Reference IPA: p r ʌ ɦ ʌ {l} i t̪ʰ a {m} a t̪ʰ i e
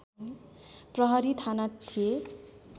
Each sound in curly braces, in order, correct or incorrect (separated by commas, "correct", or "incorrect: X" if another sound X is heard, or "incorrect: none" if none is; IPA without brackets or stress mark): incorrect: ɾ, incorrect: n